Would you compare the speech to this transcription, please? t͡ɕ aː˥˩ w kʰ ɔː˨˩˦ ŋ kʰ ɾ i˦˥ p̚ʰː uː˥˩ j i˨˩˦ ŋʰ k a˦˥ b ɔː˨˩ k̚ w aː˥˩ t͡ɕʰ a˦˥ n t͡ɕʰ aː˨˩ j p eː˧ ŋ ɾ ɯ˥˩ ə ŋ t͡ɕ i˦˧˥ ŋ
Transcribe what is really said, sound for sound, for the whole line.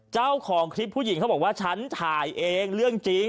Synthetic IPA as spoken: t͡ɕ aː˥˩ w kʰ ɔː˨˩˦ ŋ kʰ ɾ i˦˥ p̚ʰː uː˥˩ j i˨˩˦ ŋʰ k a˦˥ b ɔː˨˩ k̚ w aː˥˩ t͡ɕʰ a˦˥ n t͡ɕʰ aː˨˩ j ʔ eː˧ ŋ ɾ ɯ˥˩ ə ŋ t͡ɕ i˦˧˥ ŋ

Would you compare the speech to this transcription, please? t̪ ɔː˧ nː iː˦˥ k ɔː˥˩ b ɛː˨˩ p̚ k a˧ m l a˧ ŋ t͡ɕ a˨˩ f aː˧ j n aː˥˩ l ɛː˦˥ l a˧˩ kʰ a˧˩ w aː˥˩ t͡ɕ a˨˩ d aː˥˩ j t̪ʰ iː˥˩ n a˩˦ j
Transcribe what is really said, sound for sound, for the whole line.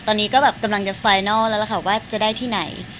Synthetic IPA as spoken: t̪ ɔː˧ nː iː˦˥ k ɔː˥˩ b ɛː˨˩ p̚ k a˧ m l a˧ ŋ t͡ɕ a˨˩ f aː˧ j n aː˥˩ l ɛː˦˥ l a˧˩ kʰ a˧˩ w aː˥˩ t͡ɕ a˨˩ d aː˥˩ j t̪ʰ iː˥˩ n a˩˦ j

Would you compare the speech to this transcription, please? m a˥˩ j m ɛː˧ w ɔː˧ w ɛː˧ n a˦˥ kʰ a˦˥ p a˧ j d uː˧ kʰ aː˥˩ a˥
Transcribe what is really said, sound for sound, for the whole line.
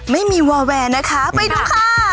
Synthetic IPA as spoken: m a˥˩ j m iː˧ w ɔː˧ w ɛː˧ n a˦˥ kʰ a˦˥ p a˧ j d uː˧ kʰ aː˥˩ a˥

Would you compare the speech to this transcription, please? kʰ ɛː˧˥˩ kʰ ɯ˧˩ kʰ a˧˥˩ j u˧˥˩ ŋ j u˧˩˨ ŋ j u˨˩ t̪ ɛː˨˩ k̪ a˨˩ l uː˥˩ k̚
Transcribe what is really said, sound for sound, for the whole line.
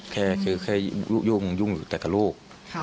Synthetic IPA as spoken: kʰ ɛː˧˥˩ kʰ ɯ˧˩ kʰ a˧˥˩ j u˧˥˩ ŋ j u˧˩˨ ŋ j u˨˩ t̪ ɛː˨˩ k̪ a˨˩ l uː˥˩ k̚

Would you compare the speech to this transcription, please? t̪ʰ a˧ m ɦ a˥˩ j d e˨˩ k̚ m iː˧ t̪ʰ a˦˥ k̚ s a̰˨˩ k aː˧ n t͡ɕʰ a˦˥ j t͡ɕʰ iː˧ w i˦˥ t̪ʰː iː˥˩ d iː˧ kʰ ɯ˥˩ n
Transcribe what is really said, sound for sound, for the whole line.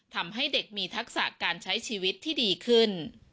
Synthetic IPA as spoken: t̪ʰ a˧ m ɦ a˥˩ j d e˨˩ k̚ m iː˧ t̪ʰ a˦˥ k̚ s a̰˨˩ k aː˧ n t͡ɕʰ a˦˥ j t͡ɕʰ iː˧ w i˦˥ t̪ʰː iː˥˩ d iː˧ kʰ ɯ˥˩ n

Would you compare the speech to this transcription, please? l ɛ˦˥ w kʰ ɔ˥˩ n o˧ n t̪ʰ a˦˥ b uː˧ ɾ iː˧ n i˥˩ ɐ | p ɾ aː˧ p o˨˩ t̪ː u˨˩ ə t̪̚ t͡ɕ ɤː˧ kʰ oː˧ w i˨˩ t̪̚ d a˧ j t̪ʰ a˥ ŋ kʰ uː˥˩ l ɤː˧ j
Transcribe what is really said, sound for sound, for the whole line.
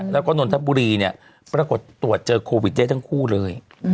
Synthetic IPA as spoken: l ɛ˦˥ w k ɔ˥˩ n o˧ n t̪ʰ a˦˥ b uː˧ ɾ iː˧ n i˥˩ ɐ | p ɾ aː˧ k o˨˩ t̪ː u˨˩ ə t̪̚ t͡ɕ ɤː˧ kʰ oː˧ w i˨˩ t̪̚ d a˥˩ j t̪ʰ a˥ ŋ kʰ uː˥˩ l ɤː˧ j

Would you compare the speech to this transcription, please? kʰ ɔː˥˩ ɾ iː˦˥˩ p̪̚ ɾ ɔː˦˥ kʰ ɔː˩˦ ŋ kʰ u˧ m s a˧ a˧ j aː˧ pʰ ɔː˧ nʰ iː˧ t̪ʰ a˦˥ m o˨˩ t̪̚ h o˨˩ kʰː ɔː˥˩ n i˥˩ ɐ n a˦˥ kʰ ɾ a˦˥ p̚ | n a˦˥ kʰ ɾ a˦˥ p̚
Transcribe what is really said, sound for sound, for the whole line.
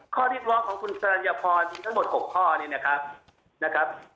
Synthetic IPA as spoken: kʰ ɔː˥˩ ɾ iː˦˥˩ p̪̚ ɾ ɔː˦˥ kʰ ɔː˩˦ ŋ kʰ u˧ n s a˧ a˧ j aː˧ pʰ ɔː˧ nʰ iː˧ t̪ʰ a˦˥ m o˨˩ t̪̚ h o˨˩ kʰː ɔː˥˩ n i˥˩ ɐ n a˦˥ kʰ ɾ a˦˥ p̚ | n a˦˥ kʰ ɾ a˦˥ p̚

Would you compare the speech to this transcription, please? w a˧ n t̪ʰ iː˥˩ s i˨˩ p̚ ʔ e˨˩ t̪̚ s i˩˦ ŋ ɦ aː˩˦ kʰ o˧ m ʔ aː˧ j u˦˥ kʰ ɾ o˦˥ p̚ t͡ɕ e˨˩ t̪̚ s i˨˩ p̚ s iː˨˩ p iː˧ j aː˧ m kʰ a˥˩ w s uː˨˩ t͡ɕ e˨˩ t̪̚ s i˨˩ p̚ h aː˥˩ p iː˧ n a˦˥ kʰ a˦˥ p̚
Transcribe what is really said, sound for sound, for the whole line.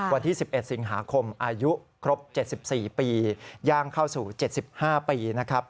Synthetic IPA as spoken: w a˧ n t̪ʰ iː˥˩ s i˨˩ p̚ ʔ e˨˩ t̪̚ s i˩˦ ŋ ɦ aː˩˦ kʰ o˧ m ʔ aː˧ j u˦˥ kʰ ɾ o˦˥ p̚ t͡ɕ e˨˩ t̪̚ s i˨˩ p̚ s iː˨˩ p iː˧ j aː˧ ŋ kʰ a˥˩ w s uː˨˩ t͡ɕ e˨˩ t̪̚ s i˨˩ p̚ h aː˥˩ p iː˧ n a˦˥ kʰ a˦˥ p̚

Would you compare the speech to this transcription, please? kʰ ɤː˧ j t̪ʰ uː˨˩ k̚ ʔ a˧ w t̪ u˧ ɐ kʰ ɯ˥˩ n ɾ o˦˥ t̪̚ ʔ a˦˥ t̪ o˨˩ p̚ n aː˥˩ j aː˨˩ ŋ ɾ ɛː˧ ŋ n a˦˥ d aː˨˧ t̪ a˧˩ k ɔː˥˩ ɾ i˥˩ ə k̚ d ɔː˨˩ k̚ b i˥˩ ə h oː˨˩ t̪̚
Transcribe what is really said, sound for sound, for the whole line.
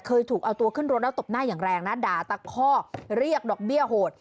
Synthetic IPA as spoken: kʰ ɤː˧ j t̪ʰ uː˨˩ k̚ ʔ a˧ w t̪ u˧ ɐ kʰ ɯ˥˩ n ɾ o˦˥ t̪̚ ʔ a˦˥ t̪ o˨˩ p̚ n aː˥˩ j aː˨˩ ŋ ɾ ɛː˧ ŋ n a˦˥ d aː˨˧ t̪ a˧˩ kʰ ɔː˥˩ ɾ i˥˩ ə k̚ d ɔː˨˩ k̚ b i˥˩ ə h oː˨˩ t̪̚

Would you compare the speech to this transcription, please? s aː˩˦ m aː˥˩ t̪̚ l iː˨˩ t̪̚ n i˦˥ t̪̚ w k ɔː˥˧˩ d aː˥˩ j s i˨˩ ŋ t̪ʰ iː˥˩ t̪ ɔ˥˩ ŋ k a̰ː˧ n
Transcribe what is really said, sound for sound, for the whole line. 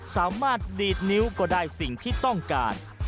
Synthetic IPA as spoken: s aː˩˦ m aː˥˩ t̪̚ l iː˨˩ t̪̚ n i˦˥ w k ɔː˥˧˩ d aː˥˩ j s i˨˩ ŋ t̪ʰ iː˥˩ t̪ ɔ˥˩ ŋ k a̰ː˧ n

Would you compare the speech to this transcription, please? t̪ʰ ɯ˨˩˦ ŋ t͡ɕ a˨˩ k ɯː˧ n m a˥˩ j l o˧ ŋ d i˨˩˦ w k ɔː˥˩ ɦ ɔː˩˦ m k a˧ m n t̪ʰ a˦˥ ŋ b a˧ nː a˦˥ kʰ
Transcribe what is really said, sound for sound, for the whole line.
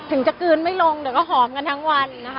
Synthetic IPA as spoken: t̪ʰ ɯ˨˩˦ ŋ t͡ɕ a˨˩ k ɯː˧ n m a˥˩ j l o˧ ŋ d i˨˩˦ w k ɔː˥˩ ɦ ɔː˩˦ m k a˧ n t̪ʰ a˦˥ ŋ w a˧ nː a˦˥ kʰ

